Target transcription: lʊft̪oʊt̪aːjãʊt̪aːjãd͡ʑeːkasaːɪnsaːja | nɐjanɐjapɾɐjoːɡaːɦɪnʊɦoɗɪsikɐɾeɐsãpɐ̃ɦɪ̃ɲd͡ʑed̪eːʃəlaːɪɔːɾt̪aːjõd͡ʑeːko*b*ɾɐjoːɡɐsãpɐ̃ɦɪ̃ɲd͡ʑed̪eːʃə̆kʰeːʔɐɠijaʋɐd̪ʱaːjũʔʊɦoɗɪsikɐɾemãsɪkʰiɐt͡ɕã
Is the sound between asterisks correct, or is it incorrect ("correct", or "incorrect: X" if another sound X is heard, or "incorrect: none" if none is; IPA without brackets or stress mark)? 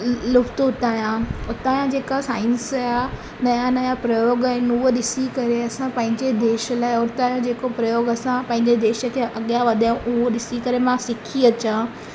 incorrect: p